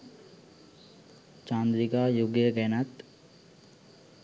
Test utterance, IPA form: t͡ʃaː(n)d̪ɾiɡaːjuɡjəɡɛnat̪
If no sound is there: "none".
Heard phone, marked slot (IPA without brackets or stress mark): n